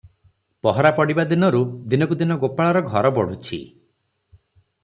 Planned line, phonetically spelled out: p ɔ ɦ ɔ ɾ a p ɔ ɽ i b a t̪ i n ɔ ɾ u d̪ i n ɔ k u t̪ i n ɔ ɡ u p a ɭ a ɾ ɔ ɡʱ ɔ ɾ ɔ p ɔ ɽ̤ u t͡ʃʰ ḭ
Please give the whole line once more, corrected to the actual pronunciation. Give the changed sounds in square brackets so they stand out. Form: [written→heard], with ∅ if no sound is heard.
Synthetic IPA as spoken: p ɔ ɦ ɔ ɾ a p ɔ ɽ i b a [t̪→d̪] i n ɔ ɾ u d̪ i n ɔ k u [t̪→d̪] i n ɔ ɡ [u→o] p a ɭ a ɾ ɔ ɡʱ ɔ ɾ ɔ [p→b] ɔ ɽ̤ u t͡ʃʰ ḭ